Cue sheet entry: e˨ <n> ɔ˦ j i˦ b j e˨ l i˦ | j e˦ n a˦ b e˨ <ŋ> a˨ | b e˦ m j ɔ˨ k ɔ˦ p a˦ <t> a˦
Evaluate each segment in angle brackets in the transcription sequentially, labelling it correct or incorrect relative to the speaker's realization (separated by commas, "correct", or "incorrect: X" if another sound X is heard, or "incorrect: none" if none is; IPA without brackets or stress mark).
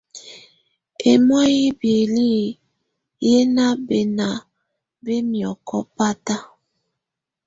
incorrect: m, incorrect: n, correct